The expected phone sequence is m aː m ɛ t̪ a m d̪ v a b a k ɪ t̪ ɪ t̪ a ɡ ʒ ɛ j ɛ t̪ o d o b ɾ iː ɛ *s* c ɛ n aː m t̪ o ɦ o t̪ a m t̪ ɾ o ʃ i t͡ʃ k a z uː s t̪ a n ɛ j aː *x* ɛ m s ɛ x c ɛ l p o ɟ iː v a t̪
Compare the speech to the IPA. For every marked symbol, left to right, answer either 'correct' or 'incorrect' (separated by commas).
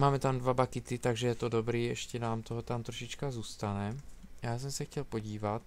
incorrect, incorrect